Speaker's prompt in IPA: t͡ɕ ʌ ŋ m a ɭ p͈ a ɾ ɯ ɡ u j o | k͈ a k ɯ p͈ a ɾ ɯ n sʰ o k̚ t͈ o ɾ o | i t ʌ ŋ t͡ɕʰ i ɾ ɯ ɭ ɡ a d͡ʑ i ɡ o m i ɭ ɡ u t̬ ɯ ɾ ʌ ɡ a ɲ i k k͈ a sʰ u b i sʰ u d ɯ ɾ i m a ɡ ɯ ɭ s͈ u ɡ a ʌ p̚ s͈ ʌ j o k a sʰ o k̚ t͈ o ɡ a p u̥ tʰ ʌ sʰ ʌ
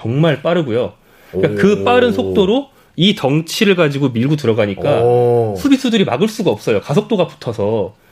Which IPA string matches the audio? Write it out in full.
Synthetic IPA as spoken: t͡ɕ ʌ ŋ m a ɭ p͈ a ɾ ɯ ɡ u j o | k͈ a k ɯ p͈ a ɾ ɯ n sʰ o k̚ t͈ o ɾ o | i t ʌ ŋ t͡ɕʰ i ɾ ɯ ɭ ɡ a d͡ʑ i ɡ o m i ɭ ɡ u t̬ ɯ ɾ ʌ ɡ a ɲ i k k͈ a sʰ u b i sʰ u d ɯ ɾ i m a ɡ ɯ ɭ s͈ u ɡ a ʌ p̚ s͈ ʌ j o k a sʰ o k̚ t͈ o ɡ a p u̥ tʰ ʌ sʰ ʌ